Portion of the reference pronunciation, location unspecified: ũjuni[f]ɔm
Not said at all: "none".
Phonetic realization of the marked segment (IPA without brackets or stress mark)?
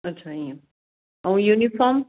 f